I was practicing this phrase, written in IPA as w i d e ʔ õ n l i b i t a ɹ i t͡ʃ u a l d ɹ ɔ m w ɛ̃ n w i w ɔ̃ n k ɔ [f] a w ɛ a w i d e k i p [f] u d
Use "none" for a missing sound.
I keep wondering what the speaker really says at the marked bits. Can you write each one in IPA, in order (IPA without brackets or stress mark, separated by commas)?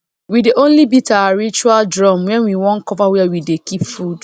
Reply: v, f